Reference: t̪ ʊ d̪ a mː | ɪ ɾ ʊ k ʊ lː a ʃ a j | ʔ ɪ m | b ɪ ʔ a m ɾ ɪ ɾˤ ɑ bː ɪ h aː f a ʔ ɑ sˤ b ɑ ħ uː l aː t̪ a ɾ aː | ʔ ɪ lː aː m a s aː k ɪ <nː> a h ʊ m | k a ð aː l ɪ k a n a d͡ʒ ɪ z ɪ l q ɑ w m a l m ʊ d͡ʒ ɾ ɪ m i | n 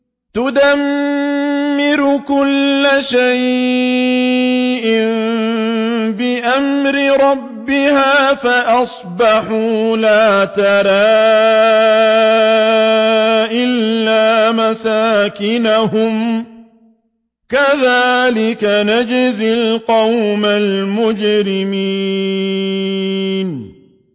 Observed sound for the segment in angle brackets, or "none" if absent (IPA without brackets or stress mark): n